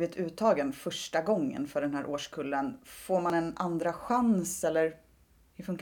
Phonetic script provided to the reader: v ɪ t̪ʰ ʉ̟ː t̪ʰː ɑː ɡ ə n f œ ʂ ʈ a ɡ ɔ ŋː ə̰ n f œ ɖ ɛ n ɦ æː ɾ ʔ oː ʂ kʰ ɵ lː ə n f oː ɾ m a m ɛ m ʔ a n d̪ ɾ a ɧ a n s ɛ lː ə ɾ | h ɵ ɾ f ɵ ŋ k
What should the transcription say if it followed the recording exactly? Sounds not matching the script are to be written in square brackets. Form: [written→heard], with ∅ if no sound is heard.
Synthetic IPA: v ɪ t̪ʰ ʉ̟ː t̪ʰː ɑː ɡ ə n f œ ʂ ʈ a ɡ ɔ ŋː ə̰ n f œ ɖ ɛ n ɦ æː ɾ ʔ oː ʂ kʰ ɵ lː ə n f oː ɾ m a [m→n] ɛ [m→n] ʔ a n d̪ ɾ a ɧ a n s ɛ lː ə ɾ | h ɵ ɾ f ɵ ŋ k